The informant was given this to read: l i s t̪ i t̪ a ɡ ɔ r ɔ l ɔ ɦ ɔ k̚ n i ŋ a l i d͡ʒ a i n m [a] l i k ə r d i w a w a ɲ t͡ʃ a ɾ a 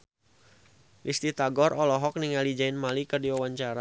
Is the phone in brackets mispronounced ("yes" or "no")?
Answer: no